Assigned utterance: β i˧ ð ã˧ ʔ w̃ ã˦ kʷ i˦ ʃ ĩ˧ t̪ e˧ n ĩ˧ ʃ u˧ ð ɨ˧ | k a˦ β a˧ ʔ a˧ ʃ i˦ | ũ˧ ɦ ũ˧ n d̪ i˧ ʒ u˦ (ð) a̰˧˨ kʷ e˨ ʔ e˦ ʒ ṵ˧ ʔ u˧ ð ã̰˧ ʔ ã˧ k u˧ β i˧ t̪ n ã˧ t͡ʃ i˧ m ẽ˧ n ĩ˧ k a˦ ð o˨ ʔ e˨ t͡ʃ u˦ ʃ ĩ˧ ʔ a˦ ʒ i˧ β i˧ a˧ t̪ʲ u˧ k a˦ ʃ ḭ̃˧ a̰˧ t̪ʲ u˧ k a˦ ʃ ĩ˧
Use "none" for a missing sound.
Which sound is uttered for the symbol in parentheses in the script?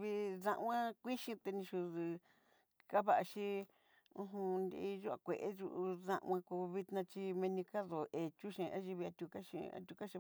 none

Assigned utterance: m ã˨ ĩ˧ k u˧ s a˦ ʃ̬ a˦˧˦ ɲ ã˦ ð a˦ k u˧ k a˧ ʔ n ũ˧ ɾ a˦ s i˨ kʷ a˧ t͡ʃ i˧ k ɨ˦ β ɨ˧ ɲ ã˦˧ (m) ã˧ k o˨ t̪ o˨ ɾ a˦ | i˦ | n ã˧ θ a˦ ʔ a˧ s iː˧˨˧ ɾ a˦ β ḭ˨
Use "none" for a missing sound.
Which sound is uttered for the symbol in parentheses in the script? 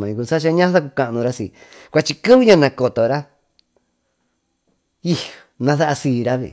n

